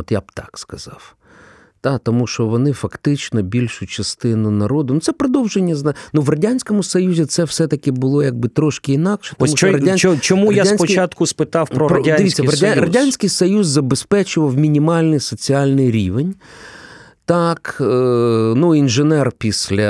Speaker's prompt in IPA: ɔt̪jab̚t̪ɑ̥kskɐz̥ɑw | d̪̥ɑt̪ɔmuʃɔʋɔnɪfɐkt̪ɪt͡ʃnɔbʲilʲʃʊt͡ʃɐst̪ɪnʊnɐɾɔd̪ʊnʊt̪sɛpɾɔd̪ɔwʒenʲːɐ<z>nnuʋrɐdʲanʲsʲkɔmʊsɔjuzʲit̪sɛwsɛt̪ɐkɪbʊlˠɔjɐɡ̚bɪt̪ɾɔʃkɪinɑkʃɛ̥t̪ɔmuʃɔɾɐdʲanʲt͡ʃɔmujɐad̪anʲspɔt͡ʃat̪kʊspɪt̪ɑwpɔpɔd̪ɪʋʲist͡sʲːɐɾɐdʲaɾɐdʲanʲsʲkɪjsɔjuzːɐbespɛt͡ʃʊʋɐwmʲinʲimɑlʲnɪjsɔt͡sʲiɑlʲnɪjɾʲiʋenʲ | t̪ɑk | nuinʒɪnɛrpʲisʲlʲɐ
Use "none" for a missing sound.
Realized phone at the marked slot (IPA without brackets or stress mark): z